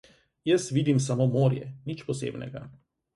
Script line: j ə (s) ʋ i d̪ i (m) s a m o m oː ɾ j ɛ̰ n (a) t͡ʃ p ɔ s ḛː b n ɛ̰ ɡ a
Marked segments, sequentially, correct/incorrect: correct, correct, incorrect: i

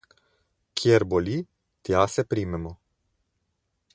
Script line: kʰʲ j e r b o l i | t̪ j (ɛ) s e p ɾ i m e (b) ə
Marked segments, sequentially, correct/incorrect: incorrect: a, incorrect: m

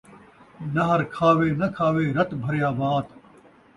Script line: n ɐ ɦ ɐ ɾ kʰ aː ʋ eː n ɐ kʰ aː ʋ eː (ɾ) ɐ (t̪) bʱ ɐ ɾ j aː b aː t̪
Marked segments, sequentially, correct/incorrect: correct, correct

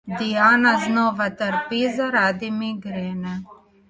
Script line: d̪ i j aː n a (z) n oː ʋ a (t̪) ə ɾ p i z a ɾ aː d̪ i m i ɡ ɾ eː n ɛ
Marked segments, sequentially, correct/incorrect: correct, correct

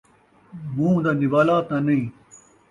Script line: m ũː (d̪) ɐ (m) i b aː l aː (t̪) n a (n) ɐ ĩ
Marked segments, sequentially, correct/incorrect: correct, incorrect: n, correct, correct

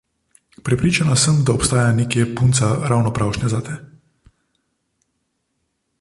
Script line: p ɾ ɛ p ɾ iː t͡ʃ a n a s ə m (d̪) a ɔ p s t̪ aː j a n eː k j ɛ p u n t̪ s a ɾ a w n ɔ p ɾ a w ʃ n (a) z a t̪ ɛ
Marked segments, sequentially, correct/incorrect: correct, incorrect: ɛ

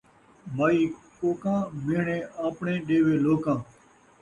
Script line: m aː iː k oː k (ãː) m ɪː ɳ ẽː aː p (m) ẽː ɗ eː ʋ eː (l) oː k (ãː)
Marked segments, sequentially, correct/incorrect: correct, incorrect: ɳ, correct, correct

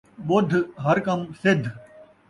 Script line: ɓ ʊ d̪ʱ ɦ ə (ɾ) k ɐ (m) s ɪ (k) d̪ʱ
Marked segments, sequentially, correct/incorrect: correct, correct, incorrect: none

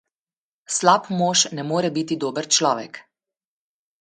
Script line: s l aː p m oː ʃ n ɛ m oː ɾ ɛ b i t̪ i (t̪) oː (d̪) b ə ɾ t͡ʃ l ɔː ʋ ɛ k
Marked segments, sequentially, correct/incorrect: incorrect: d̪, incorrect: none

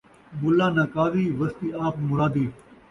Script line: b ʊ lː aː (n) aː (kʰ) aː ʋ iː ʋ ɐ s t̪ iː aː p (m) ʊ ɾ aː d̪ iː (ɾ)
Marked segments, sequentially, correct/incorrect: correct, incorrect: k, correct, incorrect: none

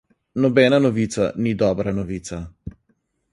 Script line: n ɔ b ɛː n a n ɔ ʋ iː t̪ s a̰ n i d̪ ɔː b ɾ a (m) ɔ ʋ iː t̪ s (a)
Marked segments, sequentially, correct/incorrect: incorrect: n, correct

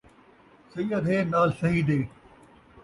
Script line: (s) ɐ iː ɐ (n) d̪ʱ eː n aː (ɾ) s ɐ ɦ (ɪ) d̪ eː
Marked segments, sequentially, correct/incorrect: correct, incorrect: none, incorrect: l, incorrect: i

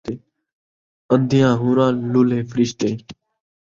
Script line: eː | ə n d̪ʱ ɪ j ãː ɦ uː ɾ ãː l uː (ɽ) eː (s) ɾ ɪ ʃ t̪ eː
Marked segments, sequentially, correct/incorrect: incorrect: l, incorrect: f

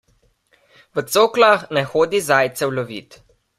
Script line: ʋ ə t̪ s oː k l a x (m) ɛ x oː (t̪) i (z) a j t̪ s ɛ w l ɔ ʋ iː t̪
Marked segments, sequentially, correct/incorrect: incorrect: n, incorrect: d̪, correct

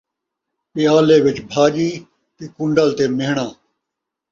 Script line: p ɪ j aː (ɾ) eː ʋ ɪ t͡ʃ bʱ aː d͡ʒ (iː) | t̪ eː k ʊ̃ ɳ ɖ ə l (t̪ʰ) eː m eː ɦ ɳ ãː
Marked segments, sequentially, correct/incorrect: incorrect: l, correct, incorrect: t̪

